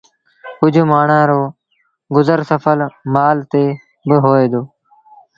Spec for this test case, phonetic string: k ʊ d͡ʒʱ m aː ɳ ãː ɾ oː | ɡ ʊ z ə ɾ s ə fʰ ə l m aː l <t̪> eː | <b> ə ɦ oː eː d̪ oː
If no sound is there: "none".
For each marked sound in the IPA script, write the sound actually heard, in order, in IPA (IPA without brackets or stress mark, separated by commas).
t̪, b